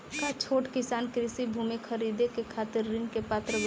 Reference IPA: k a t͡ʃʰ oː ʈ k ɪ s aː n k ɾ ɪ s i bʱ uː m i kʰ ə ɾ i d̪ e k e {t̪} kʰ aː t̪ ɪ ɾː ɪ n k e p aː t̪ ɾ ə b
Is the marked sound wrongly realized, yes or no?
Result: yes